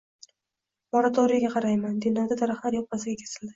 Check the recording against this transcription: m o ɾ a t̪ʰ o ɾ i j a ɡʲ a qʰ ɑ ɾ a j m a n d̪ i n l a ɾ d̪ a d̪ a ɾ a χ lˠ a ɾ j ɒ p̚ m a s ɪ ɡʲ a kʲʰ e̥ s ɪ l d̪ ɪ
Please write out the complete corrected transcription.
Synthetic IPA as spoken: m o ɾ a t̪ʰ o ɾ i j a ɡʲ a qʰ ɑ ɾ a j m a n d̪ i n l a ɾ d̪ a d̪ a ɾ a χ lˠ a ɾ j ɒ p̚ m a s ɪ ɡʲ a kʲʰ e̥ s ɪ l d̪ ɪ